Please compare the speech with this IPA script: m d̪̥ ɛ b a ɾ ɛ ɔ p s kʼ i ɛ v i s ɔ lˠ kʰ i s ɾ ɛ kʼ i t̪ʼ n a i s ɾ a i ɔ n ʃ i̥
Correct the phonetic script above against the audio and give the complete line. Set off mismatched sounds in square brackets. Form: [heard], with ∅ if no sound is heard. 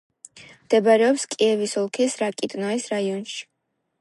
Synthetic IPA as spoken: m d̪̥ ɛ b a ɾ ɛ ɔ p s kʼ i ɛ v i s ɔ lˠ kʰ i s ɾ [a] kʼ i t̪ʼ n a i s ɾ a i ɔ n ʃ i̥